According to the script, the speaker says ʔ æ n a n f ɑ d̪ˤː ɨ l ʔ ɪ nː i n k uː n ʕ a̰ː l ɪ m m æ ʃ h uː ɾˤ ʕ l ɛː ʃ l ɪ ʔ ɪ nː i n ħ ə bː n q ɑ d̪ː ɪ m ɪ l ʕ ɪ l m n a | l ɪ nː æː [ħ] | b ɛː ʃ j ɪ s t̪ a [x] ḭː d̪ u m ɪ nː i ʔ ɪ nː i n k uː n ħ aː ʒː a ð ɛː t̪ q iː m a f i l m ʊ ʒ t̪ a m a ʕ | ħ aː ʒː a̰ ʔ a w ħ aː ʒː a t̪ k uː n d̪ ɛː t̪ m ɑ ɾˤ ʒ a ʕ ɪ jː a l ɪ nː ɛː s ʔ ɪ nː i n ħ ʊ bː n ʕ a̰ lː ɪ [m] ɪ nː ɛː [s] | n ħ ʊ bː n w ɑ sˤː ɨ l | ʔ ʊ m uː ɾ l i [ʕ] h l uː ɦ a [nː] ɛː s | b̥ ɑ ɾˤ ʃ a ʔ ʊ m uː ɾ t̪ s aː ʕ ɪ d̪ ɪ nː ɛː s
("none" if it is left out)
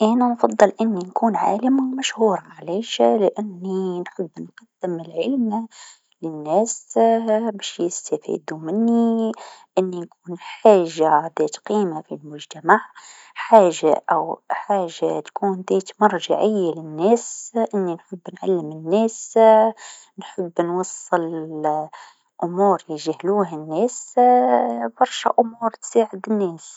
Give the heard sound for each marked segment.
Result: s, f, m, s, ʒ, nː

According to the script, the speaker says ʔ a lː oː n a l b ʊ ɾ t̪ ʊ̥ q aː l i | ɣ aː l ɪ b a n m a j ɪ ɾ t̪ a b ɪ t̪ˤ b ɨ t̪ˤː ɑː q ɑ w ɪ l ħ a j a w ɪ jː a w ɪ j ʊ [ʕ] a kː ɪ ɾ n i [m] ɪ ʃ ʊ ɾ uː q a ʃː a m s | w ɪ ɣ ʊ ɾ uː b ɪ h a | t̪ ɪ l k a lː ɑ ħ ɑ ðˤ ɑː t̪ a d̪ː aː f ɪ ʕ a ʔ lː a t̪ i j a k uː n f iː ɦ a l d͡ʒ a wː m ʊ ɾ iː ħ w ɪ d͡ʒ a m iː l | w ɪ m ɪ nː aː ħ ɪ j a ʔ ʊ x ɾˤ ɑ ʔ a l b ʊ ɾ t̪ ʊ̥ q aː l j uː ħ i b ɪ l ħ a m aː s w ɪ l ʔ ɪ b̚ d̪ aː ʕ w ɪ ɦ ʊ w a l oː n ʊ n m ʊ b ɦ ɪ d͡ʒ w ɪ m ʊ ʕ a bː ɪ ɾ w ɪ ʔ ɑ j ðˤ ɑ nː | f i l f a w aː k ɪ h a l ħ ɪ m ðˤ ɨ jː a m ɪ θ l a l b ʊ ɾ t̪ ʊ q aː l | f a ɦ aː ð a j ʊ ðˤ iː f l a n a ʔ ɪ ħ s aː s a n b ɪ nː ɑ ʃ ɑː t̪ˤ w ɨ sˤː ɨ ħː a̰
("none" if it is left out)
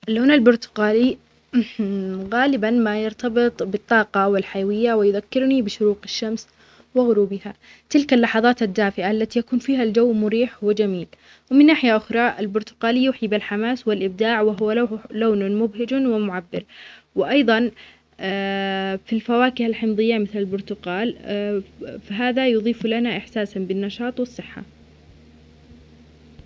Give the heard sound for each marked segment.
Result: ð, b

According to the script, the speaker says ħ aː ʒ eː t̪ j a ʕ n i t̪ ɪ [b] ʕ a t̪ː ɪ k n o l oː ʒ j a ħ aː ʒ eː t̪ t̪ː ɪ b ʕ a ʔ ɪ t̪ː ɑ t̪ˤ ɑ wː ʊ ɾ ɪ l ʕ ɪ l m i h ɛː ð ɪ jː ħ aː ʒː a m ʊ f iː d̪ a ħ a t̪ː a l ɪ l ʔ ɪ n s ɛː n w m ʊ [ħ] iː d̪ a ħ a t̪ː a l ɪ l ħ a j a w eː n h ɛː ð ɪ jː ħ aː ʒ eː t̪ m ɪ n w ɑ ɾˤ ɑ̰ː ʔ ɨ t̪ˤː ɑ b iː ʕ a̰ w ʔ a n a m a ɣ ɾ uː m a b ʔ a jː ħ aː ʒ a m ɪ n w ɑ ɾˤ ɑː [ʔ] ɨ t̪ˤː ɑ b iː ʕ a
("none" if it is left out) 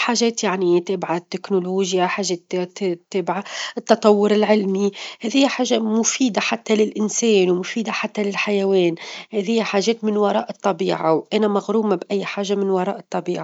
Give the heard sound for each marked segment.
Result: b, f, ʔ

